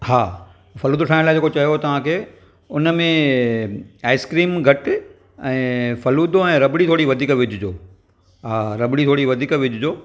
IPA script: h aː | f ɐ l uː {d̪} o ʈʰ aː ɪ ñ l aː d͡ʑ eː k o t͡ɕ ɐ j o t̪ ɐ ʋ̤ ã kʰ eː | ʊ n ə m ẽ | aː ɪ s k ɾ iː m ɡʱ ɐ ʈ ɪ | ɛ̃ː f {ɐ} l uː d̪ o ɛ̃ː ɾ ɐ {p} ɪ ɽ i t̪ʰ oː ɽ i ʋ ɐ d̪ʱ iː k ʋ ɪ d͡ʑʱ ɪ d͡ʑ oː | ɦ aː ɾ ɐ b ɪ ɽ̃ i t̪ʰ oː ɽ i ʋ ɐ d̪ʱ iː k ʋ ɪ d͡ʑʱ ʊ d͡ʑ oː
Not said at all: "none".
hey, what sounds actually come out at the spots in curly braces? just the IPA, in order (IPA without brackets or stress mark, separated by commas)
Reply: d̪, ɐ, b